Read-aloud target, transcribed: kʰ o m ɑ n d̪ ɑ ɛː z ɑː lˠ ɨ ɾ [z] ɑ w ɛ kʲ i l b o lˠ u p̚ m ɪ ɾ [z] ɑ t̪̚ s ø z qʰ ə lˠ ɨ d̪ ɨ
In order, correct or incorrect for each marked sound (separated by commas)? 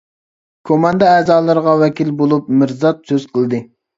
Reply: incorrect, correct